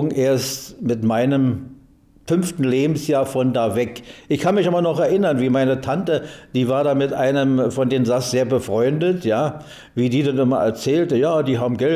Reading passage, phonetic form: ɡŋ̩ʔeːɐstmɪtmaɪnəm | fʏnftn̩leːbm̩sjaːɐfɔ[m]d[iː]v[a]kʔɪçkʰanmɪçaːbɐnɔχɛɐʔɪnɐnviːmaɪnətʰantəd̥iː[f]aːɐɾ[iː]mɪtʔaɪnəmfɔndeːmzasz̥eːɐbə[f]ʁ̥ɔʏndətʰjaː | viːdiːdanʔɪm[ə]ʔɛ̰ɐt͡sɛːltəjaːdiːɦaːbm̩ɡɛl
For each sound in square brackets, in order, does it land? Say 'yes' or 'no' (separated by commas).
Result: no, no, no, no, no, yes, no